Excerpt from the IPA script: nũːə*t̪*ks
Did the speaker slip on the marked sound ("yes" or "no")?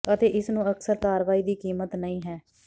yes